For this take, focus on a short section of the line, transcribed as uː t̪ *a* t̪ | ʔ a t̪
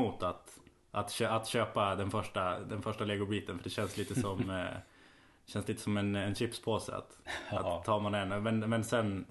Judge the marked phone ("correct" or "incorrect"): correct